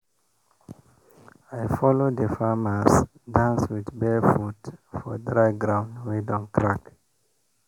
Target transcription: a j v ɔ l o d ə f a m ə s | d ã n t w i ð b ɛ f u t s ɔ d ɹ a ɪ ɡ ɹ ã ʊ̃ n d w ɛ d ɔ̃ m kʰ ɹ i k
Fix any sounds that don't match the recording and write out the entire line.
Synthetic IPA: a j f ɔ l o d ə f a m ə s | d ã n s w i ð b ɛ f u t f ɔ d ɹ a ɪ ɡ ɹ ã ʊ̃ n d w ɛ d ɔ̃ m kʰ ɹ a k